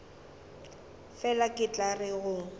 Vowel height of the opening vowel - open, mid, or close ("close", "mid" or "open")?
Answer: mid